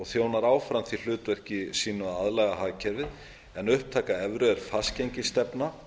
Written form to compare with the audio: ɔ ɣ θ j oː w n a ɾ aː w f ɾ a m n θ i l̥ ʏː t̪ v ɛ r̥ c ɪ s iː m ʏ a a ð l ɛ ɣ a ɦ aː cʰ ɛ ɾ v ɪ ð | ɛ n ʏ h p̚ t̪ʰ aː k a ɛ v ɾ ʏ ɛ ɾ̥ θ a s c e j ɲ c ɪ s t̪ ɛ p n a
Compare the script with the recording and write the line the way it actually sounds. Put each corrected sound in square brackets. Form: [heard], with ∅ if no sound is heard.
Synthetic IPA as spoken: ɔ ɣ θ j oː w n a ɾ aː w f ɾ a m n θ i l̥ ʏː t̪ v ɛ r̥ c ɪ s iː [n] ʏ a a ð l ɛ ɣ a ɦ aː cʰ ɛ ɾ v ɪ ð | ɛ n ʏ h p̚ t̪ʰ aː k a ɛ v ɾ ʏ ɛ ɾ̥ [f] a s c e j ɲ c ɪ s t̪ ɛ p n a